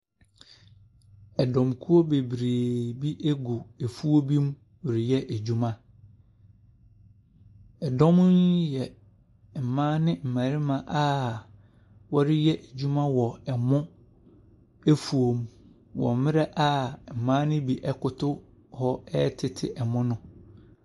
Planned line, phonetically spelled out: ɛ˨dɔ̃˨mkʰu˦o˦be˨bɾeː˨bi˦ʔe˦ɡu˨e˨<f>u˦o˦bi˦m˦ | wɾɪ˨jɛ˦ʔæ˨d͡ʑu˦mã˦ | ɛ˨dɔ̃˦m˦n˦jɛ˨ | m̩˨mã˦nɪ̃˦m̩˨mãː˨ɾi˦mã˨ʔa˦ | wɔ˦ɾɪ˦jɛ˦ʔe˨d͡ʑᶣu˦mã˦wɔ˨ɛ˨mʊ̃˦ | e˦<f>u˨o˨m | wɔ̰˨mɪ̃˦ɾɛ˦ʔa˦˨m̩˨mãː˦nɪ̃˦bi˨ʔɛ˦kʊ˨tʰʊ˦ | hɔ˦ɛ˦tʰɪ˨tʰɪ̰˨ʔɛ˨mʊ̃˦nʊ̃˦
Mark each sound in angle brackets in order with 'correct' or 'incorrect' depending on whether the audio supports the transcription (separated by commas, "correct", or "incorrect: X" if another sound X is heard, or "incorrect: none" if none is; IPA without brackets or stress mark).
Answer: correct, correct